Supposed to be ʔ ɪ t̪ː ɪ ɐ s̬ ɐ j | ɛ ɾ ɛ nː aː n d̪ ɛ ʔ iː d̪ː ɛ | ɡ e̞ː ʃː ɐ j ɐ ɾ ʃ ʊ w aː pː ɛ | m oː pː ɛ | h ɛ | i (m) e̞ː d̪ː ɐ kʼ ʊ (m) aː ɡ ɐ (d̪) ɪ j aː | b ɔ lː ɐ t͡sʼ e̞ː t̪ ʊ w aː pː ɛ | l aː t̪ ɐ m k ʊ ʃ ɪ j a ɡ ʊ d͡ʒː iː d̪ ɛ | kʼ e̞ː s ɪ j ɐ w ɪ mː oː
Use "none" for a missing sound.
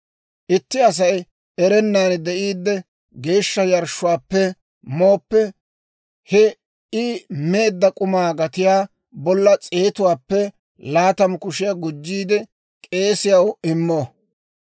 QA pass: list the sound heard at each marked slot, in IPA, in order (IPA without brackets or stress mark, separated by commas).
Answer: m, m, t̪